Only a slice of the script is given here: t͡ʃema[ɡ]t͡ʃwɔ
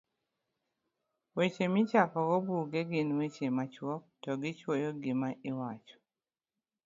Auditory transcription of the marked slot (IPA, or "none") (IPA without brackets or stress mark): none